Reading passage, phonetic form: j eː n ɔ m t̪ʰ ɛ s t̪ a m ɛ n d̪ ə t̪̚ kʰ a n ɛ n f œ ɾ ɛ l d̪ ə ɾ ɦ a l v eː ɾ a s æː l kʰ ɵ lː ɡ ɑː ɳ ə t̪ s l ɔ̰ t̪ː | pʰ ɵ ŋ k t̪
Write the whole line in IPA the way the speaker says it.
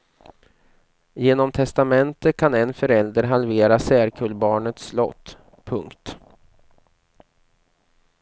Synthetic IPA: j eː n ɔ m t̪ʰ ɛ s t̪ a m ɛ n t̪ ə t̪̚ kʰ a n ɛ n f œ ɾ ɛ l d̪ ə ɾ ɦ a l v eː ɾ a s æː ɾ kʰ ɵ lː b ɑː ɳ ə t̪ s l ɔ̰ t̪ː | pʰ ɵ ŋ k t̪